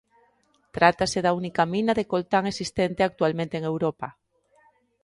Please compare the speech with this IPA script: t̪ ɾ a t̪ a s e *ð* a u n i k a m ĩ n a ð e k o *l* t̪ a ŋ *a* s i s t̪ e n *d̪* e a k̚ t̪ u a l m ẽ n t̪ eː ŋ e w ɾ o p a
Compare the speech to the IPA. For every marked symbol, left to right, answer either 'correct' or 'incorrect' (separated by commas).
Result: correct, correct, incorrect, incorrect